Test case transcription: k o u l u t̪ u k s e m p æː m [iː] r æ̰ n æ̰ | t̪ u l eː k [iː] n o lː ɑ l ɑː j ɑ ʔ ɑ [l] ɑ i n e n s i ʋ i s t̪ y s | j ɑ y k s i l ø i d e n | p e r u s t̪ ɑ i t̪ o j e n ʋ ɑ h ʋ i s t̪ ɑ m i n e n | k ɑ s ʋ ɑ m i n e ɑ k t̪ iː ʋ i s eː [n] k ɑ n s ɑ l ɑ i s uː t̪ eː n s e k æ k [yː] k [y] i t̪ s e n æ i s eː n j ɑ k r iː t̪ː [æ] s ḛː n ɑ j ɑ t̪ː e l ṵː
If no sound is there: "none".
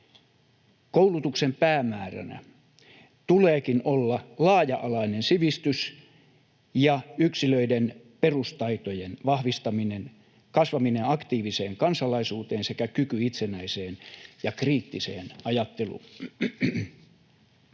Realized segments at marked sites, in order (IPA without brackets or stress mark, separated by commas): æː, i, l, ŋ, y, y, i